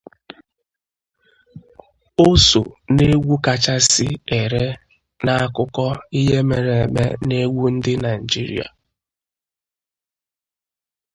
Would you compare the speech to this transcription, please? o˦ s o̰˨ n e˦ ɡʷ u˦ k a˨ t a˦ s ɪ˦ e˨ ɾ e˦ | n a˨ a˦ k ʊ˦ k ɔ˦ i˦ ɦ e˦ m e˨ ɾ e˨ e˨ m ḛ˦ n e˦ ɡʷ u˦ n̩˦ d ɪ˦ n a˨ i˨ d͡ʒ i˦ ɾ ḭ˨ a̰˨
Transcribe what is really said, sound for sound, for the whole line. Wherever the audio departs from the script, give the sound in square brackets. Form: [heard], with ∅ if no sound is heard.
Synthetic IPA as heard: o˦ s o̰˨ n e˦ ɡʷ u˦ k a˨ [t͡ʃ] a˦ s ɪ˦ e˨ ɾ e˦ | n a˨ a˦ k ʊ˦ k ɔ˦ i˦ ɦ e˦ m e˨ ɾ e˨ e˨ m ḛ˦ n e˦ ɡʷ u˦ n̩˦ d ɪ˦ n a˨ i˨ d͡ʒ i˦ ɾ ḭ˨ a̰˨

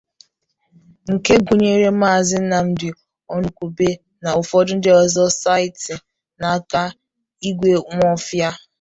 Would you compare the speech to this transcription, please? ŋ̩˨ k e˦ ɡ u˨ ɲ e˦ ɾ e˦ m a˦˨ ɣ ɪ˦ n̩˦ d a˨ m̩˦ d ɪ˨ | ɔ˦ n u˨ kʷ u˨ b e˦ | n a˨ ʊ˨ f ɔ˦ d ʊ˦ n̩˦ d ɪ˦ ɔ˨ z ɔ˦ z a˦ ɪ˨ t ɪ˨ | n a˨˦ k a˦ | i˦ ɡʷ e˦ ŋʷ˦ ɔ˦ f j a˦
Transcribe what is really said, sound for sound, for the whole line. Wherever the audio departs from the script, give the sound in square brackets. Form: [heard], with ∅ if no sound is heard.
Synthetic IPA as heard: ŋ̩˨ k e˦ ɡ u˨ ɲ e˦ ɾ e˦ m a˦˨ [z] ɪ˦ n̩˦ [n] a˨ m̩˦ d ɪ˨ | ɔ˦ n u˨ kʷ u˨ b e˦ | n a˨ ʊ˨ f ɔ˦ d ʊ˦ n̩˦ d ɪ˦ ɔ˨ z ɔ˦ [s] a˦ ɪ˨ t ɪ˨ | n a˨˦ k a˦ | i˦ ɡʷ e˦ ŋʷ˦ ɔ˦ f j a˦

